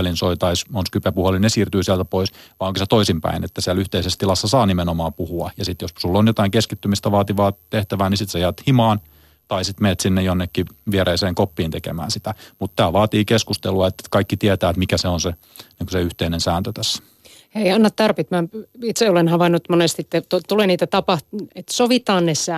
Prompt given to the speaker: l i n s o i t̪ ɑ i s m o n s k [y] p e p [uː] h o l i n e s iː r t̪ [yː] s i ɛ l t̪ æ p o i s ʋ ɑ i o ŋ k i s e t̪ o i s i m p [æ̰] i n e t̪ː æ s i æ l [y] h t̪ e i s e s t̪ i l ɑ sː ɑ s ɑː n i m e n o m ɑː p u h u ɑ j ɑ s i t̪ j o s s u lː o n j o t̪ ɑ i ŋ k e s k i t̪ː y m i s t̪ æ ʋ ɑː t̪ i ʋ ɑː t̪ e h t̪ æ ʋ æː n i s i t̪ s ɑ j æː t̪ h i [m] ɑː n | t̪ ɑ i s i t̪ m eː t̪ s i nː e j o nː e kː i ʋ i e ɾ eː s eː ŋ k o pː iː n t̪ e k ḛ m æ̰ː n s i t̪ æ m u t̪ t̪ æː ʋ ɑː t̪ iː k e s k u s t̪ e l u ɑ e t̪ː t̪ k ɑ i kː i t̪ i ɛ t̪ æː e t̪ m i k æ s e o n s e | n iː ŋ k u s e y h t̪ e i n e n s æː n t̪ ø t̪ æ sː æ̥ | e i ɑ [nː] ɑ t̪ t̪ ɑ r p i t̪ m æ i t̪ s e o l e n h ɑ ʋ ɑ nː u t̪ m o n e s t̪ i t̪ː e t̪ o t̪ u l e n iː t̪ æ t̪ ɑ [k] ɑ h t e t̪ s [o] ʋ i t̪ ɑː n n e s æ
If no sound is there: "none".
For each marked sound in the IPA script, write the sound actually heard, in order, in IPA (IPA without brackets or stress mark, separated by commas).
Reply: y, u, yː, æ̰, y, m, nː, p, o